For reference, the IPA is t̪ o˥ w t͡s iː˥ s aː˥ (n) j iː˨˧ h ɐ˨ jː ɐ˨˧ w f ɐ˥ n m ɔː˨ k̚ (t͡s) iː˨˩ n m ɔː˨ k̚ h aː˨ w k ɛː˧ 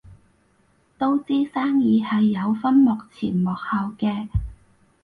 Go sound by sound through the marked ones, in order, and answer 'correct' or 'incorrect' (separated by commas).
incorrect, incorrect